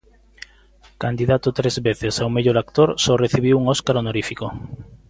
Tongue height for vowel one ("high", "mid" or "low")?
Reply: low